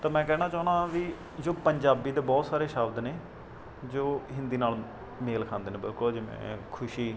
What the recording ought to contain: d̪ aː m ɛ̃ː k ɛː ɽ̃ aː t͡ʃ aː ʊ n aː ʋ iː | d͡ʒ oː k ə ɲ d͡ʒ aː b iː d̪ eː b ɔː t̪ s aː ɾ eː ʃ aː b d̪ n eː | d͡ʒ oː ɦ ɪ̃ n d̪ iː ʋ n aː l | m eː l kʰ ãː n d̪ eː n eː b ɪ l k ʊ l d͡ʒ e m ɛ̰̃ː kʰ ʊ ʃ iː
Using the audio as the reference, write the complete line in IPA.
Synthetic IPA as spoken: t̪ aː m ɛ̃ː k ɛː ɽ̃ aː t͡ʃ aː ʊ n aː ʋ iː | d͡ʒ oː p ə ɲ d͡ʒ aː b iː d̪ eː b ɔː t̪ s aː ɾ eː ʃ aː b d̪ n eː | d͡ʒ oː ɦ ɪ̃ n d̪ iː n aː l | m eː l kʰ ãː n d̪ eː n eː b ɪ l k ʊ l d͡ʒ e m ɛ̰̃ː kʰ ʊ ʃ iː

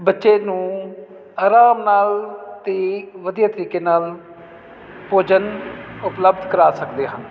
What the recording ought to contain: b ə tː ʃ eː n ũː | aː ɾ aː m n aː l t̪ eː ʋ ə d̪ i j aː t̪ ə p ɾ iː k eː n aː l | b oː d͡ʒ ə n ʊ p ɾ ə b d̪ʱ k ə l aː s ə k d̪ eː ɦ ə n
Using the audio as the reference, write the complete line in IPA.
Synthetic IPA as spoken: b ə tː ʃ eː n ũː | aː ɾ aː m n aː l t̪ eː ʋ ə d̪ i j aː t̪ ə ɾ iː k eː n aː l | p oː d͡ʒ ə n ʊ p l ə b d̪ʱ k ə ɾ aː s ə k d̪ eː ɦ ə n

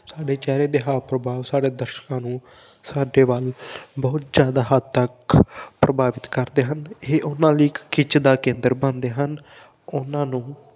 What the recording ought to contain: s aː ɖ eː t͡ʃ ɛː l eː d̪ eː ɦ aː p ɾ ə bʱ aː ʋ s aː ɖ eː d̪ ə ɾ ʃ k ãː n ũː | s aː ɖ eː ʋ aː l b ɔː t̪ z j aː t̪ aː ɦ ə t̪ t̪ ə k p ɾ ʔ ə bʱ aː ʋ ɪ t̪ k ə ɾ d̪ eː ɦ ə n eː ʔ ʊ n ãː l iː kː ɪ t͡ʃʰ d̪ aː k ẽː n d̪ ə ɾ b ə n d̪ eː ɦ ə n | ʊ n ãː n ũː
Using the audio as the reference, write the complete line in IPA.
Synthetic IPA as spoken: s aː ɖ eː t͡ʃ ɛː ɾ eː d̪ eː ɦ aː p ɾ ə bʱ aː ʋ s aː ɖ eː d̪ ə ɾ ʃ k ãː n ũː | s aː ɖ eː ʋ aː l b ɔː t̪ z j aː d̪ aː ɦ ə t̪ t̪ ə k p ɾ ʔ ə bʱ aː ʋ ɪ t̪ k ə ɾ d̪ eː ɦ ə n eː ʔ ʊ n ãː l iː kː ɪ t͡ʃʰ d̪ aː k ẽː n d̪ ə ɾ b ə n d̪ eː ɦ ə n | ʊ n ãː n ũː

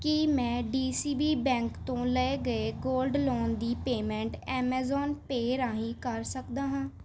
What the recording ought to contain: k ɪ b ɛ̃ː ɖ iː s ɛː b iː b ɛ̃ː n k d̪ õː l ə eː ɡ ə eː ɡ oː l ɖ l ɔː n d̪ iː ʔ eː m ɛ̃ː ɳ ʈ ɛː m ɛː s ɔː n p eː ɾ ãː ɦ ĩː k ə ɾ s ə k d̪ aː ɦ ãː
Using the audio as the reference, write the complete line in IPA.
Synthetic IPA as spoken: k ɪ m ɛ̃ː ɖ iː s iː b iː b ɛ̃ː ŋ k t̪ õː l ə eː ɡ ə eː ɡ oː l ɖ l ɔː n d̪ iː p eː m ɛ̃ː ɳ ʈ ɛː m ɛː z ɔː n p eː ɾ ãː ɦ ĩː k ə ɾ s ə k d̪ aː ɦ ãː

